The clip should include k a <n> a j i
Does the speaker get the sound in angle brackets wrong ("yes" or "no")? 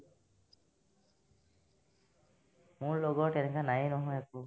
no